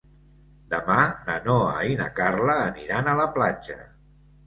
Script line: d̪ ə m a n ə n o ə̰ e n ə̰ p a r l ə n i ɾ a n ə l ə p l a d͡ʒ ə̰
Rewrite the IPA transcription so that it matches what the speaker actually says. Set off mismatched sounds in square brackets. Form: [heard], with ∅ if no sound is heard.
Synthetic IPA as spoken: d̪ ə m a n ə n o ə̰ [i] n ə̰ [k] a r l [əː] n i ɾ a n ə l ə p l a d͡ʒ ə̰